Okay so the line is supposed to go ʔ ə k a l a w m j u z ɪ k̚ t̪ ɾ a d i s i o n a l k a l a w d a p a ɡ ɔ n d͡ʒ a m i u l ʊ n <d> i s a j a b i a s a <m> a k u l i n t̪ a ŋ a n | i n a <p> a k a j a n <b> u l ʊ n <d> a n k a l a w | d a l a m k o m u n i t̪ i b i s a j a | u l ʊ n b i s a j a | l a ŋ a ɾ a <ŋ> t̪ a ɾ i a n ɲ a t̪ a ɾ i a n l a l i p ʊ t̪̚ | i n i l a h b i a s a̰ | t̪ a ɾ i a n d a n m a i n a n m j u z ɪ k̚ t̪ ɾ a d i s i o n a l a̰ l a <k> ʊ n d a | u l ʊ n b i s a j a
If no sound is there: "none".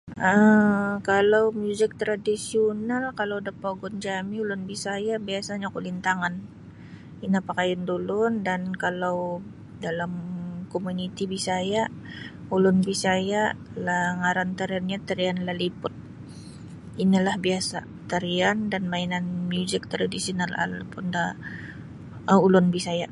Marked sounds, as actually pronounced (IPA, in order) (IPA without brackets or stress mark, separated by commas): b, ɲ, p, d, d, n, p